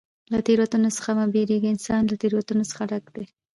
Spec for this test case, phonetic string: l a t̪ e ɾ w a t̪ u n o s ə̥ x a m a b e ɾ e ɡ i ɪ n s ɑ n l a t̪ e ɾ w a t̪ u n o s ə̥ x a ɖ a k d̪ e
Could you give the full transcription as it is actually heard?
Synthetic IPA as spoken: l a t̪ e ɾ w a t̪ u n o s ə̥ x a m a b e ɾ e ɡ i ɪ n s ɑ n l a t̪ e ɾ w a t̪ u n o s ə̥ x a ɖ a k d̪ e